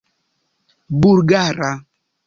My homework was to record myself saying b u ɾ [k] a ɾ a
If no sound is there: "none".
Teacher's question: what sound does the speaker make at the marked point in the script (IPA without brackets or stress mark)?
ɡ